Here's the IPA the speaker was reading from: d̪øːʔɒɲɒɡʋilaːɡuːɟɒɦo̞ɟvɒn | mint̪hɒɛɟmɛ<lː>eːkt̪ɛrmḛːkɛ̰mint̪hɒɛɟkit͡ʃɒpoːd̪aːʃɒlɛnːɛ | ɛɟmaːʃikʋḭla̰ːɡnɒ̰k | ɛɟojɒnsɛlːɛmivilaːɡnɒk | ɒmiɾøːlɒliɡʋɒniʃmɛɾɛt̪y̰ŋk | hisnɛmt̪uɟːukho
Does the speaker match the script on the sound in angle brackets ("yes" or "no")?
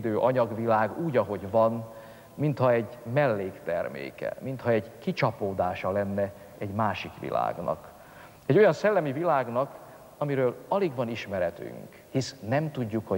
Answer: yes